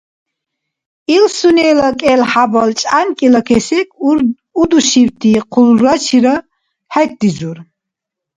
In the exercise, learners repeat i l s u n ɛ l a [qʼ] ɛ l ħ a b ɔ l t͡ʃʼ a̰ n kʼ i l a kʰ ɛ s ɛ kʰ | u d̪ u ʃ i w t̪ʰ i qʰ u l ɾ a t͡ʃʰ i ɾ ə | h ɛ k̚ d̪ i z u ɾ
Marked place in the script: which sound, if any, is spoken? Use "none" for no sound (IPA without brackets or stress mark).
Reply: kʼ